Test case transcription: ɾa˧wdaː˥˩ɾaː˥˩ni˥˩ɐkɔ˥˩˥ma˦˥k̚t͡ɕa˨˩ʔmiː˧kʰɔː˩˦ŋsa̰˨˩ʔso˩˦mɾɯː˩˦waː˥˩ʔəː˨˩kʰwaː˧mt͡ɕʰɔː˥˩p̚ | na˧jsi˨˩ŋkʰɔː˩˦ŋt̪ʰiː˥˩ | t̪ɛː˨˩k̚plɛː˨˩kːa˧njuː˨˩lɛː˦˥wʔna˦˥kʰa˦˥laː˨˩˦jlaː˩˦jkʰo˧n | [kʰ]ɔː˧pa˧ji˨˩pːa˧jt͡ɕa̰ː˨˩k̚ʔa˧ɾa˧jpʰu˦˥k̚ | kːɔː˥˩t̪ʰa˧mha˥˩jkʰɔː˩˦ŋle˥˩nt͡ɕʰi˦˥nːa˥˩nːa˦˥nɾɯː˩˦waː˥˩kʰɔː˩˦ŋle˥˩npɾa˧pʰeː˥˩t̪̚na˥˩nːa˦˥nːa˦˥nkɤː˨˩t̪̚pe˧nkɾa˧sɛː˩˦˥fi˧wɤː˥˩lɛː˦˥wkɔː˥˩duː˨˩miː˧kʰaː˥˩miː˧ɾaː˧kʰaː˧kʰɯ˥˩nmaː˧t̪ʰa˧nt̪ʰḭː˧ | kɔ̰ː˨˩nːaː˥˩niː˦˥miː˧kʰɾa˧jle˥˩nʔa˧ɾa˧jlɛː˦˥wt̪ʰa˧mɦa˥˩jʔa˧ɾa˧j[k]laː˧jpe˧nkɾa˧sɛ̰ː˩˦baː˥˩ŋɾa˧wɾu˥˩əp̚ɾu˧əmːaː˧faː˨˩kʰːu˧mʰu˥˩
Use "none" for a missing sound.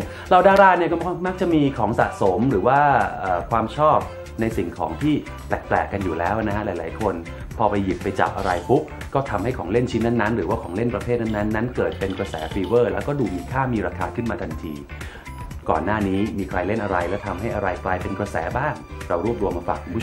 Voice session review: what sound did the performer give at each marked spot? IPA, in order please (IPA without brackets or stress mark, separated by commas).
pʰ, k